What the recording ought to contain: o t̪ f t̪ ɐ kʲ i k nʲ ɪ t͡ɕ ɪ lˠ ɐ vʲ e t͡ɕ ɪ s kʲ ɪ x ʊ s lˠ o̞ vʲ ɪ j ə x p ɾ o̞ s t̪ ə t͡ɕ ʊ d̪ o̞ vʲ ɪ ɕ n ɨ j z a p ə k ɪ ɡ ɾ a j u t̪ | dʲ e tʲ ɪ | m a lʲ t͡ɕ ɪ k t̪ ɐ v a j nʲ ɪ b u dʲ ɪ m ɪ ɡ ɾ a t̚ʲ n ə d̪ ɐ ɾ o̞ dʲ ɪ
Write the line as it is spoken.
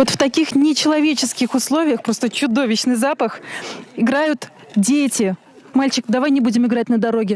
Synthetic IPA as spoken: o t̪ f t̪ ɐ kʲ i x nʲ ɪ t͡ɕ ɪ lˠ ɐ vʲ e t͡ɕ ɪ s kʲ ɪ x ʊ s lˠ o̞ vʲ ɪ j ə x p ɾ o̞ s t̪ ə t͡ɕ ʊ d̪ o̞ vʲ ɪ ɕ n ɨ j z a p ə x ɪ ɡ ɾ a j ʊ t̪ | dʲ e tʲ ɪ | m a lʲ t͡ɕ ɪ k d̪ ɐ v a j nʲ ɪ b u dʲ ɪ m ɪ ɡ ɾ a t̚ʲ n ə d̪ ɐ ɾ o̞ ɡʲ ɪ